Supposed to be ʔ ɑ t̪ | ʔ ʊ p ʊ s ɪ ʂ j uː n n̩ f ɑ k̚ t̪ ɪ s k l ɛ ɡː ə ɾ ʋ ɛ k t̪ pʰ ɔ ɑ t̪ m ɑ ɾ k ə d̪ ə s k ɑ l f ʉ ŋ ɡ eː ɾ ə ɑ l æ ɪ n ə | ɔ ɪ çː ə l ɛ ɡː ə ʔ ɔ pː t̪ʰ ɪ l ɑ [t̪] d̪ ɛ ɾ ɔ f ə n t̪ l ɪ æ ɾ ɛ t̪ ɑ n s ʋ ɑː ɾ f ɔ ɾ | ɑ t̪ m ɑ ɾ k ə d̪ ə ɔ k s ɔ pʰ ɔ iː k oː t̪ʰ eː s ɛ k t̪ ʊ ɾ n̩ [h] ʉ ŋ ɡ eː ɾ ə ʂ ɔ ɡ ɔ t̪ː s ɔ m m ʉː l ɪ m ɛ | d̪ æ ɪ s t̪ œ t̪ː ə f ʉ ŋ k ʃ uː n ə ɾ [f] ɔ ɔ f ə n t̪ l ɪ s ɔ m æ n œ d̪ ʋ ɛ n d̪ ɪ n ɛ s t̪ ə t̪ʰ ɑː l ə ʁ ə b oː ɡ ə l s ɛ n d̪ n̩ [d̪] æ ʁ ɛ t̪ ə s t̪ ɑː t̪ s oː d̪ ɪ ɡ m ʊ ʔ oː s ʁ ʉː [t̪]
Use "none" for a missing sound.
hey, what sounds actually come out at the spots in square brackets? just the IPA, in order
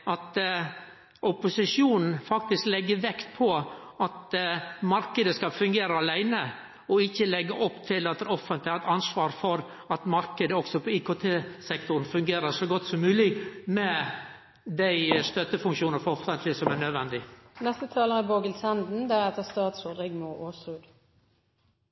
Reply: t̪, f, f, d̪, d̪

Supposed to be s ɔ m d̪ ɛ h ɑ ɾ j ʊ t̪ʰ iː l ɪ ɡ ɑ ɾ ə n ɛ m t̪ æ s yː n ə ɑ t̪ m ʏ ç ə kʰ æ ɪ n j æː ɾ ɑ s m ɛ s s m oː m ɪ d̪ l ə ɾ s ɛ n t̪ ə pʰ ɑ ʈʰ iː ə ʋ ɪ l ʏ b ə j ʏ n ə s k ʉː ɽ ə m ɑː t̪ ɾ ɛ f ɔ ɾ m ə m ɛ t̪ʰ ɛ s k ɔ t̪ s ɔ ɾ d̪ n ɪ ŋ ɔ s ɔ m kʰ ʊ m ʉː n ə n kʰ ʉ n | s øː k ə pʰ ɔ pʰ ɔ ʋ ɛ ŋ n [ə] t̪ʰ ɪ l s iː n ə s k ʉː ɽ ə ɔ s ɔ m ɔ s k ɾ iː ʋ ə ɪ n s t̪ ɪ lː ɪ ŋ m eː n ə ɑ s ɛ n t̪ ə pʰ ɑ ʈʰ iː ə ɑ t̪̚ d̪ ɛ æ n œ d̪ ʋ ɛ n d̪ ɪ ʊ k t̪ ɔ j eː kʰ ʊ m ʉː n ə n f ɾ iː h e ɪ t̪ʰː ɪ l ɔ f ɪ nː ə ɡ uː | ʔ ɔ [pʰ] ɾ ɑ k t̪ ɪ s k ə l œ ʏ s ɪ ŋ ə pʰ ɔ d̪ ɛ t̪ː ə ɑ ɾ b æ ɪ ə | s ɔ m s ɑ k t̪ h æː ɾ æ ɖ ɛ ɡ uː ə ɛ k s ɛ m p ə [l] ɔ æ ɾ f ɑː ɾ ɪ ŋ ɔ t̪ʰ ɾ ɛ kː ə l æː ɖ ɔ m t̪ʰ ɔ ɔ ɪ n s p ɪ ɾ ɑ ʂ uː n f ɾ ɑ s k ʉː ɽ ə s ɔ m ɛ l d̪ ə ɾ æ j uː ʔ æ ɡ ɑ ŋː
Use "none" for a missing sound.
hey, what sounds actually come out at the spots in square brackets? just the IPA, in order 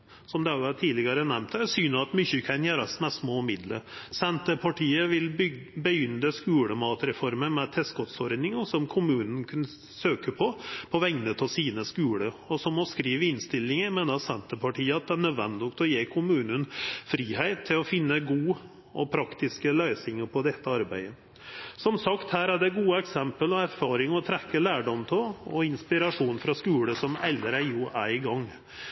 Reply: ə, pʰ, l

